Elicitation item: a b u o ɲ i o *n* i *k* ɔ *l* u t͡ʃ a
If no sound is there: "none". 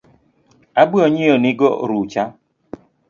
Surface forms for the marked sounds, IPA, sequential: n, ɡ, ɾ

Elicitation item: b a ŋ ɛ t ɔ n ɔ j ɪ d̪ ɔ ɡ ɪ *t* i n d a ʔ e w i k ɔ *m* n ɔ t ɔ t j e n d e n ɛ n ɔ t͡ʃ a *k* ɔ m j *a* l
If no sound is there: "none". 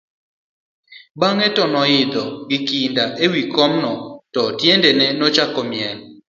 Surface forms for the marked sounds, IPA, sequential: k, m, k, ɛ

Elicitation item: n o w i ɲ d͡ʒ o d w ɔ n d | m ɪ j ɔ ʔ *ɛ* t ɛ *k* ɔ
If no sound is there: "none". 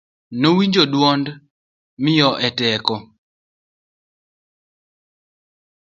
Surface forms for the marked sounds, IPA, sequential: ɛ, k

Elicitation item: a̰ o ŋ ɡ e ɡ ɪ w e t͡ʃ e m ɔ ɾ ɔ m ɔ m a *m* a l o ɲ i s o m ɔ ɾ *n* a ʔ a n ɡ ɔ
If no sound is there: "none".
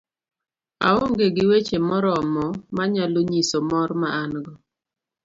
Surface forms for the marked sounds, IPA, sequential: ɲ, m

